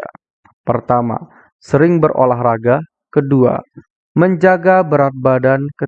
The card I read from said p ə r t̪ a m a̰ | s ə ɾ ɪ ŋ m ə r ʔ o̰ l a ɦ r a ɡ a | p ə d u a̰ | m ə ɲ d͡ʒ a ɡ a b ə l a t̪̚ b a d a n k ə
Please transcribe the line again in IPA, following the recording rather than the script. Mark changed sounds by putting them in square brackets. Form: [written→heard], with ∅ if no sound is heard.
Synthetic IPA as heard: p ə r t̪ a m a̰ | s ə ɾ ɪ ŋ [m→b] ə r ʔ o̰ l a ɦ r a ɡ a | [p→k] ə d u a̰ | m ə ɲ d͡ʒ a ɡ a b ə [l→ɾ] a t̪̚ b a d a n k ə